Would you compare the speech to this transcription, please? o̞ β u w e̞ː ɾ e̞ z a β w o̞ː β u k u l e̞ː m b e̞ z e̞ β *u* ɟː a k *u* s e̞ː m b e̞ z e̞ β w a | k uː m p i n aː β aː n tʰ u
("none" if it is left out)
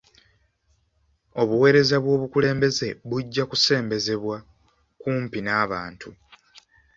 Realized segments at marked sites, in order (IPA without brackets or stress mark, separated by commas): u, u